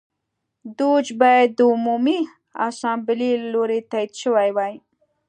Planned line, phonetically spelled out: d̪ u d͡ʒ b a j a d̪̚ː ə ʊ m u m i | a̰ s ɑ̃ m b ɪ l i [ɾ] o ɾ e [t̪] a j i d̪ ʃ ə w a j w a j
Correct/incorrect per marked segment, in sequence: incorrect: l, correct

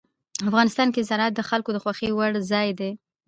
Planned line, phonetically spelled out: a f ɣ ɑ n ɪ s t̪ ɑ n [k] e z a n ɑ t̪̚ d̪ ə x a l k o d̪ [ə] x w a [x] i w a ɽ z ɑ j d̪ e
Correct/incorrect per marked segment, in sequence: correct, correct, correct

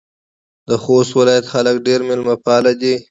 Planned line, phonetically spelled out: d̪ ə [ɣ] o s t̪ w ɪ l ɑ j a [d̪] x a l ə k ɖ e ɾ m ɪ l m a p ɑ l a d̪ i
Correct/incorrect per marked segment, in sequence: incorrect: x, incorrect: t̪

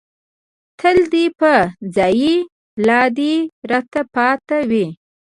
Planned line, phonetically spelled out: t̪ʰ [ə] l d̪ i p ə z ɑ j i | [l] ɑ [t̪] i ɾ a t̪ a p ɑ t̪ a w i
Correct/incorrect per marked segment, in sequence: correct, correct, incorrect: d̪

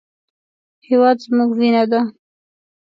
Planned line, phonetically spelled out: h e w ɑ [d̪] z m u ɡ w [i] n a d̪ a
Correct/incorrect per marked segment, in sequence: correct, correct

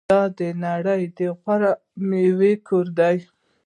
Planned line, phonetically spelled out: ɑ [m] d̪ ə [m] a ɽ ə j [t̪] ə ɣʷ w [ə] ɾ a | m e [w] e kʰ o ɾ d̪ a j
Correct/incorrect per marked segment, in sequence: incorrect: none, incorrect: n, incorrect: d̪, incorrect: a, correct

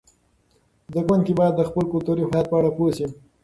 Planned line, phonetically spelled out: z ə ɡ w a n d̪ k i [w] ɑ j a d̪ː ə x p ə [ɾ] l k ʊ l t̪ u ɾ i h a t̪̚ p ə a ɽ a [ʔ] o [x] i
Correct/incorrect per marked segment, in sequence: incorrect: b, incorrect: none, incorrect: p, incorrect: s

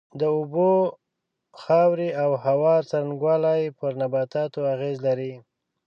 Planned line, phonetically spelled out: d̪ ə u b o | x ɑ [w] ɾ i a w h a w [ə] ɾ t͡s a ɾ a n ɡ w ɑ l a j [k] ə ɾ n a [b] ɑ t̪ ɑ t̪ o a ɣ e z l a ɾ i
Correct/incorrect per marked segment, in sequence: correct, incorrect: ɑ, incorrect: p, correct

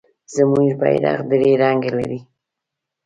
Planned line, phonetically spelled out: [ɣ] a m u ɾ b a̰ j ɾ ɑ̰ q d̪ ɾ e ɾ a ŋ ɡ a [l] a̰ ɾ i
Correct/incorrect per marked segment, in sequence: incorrect: z, correct

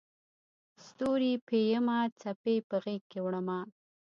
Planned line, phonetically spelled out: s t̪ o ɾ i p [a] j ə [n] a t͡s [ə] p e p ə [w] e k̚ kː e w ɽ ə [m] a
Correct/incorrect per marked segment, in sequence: incorrect: e, incorrect: m, incorrect: a, incorrect: ɣ, correct

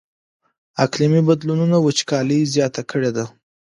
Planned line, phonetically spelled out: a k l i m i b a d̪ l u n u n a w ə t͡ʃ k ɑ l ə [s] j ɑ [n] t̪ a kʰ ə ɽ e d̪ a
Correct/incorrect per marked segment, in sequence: incorrect: z, incorrect: none

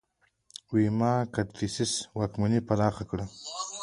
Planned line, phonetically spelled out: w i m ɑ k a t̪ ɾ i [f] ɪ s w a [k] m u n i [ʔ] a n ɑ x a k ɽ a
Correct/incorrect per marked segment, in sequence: incorrect: s, correct, incorrect: p

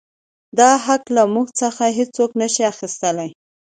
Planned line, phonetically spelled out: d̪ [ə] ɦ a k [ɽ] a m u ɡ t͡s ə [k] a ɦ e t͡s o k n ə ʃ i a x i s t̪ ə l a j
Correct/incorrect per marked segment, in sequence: incorrect: ɑ, incorrect: l, incorrect: x

